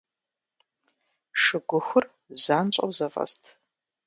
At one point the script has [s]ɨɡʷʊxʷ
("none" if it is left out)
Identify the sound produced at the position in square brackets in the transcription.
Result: ʂ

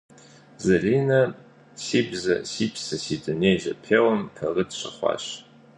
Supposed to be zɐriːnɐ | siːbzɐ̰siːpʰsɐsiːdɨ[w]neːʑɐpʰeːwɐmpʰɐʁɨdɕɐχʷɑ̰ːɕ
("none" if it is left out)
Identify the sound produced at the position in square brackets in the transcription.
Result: none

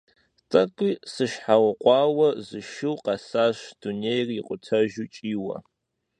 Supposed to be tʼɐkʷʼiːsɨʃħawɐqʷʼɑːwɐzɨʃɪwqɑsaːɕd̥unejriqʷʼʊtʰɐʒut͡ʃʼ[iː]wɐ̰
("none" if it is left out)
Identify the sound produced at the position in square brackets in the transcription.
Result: iː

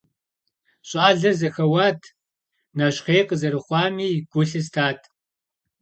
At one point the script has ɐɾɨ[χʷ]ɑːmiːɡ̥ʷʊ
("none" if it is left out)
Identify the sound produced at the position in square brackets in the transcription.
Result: χʷ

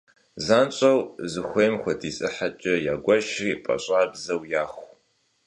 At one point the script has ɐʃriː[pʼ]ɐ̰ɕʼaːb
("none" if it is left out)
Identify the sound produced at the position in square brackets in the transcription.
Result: pʼ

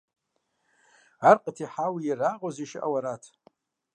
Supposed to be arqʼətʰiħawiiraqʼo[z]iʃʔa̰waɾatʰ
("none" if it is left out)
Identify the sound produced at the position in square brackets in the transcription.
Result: z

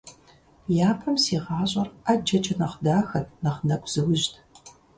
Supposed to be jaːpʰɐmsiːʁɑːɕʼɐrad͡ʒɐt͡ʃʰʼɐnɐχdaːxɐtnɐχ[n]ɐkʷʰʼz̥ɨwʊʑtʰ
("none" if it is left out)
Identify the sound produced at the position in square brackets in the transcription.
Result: n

